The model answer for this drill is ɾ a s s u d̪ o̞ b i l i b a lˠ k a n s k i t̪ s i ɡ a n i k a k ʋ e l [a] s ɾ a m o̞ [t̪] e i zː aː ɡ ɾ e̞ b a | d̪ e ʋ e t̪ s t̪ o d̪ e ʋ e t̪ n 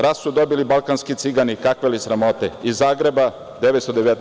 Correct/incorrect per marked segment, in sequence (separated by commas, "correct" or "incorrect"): incorrect, correct